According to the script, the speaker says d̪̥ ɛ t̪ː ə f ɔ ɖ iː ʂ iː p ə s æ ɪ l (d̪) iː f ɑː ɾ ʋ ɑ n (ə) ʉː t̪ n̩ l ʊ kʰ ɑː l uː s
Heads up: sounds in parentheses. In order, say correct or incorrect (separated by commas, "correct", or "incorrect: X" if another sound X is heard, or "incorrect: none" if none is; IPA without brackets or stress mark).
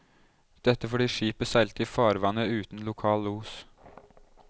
incorrect: t̪, correct